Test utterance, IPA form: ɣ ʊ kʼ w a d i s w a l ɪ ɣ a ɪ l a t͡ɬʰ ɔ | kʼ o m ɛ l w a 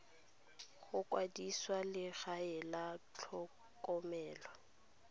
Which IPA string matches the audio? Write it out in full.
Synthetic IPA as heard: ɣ ʊ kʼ w a d i s w a l ɪ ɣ a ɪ l a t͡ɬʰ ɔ | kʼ ɔ m ɛː l w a